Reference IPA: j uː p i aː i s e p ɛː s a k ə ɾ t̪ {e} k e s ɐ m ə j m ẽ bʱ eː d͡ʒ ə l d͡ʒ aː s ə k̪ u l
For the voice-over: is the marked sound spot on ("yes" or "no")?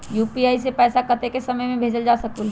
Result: yes